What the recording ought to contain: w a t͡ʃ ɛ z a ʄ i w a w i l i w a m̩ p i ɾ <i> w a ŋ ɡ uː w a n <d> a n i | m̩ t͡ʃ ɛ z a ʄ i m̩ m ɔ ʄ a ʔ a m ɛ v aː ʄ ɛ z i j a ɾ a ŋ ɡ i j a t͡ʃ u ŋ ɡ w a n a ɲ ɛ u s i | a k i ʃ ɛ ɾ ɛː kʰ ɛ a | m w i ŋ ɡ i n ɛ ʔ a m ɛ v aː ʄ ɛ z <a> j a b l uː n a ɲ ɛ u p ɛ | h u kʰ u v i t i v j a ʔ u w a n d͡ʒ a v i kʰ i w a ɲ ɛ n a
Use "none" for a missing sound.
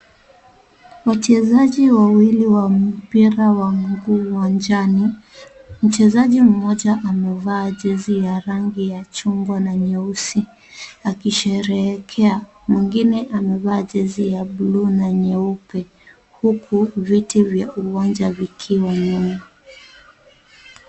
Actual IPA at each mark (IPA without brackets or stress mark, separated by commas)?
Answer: a, d͡ʒ, i